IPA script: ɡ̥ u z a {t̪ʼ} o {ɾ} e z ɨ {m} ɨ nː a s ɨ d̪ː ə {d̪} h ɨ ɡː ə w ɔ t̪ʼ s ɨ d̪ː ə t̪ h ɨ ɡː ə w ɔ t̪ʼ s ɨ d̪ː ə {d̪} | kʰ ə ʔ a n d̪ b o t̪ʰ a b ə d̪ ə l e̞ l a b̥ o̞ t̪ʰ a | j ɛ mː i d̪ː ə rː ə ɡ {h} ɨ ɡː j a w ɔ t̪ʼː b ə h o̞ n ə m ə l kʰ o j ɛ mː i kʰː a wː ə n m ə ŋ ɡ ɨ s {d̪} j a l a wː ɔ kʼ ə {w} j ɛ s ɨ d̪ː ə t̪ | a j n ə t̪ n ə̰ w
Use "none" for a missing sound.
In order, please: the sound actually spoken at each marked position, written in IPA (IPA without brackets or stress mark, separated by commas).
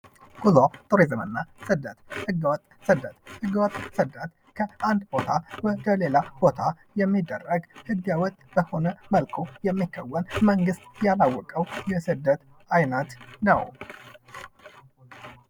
t̪ʼ, ɾ, m, t̪, t̪, h, t̪, w